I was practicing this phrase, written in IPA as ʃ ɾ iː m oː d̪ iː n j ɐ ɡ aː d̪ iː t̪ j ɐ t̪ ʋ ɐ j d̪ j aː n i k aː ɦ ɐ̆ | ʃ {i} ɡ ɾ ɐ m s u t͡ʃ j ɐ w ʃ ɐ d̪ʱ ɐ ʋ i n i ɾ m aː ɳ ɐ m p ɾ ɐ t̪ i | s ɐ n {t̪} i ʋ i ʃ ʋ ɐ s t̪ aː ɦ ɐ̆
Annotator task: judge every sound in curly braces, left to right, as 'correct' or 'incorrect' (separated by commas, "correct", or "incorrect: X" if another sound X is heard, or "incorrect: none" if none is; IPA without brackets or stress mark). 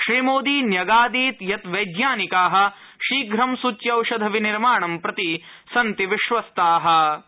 incorrect: iː, correct